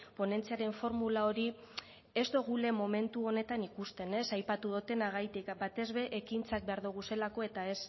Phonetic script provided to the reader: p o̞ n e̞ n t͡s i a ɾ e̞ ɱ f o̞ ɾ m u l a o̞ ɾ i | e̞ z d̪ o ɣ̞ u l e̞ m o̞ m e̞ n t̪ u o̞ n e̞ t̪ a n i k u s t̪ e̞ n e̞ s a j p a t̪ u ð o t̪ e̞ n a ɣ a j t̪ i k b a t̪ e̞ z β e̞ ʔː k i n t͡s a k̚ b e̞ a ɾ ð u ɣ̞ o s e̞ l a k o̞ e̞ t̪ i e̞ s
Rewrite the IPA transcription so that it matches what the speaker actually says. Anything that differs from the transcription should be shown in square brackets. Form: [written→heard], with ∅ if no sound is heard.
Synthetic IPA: p o̞ n e̞ n t͡s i a ɾ e̞ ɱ f o̞ ɾ m u l a o̞ ɾ i | e̞ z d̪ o ɣ̞ u l e̞ m o̞ m e̞ n t̪ u o̞ n e̞ t̪ a n i k u s t̪ e̞ n e̞ s a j p a t̪ u ð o t̪ e̞ n a ɣ a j t̪ i k b a t̪ e̞ z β e̞ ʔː k i n t͡s a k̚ b e̞ a ɾ ð u ɣ̞ [o→u] s e̞ l a k o̞ e̞ t̪ [i→a] e̞ s